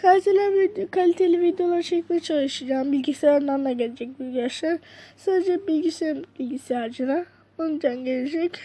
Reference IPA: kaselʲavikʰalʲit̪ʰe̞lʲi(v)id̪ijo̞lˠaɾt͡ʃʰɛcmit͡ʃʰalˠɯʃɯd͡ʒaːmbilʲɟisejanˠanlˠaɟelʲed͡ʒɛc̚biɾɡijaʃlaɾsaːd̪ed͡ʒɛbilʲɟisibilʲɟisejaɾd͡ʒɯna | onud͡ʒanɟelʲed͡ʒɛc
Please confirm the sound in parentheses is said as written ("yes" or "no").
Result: yes